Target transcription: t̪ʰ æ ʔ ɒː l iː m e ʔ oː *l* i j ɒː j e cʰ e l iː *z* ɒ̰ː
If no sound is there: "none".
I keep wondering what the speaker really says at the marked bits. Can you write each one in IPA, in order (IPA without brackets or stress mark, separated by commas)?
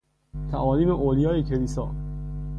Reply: l, s